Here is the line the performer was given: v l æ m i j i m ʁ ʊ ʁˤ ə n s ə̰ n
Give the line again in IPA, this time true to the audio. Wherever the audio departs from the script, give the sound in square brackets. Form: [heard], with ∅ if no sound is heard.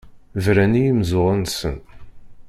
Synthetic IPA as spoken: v [ɾ] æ [n] i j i m [z] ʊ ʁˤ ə n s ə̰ n